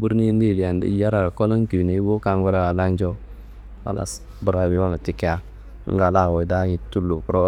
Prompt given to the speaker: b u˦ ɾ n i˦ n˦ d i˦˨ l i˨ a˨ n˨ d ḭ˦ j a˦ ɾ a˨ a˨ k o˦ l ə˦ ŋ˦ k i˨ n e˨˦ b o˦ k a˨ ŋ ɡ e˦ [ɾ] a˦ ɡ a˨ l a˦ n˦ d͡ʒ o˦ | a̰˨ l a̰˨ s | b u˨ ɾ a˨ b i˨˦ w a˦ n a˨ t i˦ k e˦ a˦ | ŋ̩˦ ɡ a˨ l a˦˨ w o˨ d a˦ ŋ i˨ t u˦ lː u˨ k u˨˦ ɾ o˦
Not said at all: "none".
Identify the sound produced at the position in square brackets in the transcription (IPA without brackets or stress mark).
ɾ